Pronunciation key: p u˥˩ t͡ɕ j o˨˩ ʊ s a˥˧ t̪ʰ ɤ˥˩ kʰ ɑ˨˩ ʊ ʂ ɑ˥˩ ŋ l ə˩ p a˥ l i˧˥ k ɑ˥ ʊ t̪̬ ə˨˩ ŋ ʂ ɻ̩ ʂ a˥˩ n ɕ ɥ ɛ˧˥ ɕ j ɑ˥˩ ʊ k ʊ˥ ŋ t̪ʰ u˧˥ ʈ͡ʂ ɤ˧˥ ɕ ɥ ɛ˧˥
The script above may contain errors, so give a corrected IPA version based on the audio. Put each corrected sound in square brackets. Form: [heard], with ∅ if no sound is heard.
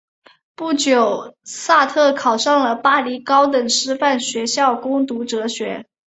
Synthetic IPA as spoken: p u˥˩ t͡ɕ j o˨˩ ʊ s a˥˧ t̪ʰ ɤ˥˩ kʰ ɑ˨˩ ʊ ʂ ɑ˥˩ ŋ l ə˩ p a˥ l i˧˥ k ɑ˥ ʊ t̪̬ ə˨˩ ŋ ʂ ɻ̩ [f] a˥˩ n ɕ ɥ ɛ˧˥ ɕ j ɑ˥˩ ʊ k ʊ˥ ŋ [t̪] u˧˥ ʈ͡ʂ ɤ˧˥ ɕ ɥ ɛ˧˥